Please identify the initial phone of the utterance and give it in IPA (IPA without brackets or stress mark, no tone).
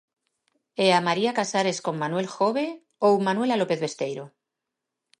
e